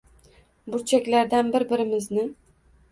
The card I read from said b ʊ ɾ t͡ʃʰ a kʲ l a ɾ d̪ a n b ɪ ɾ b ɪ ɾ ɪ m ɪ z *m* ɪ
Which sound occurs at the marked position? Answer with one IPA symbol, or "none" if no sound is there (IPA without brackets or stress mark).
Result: n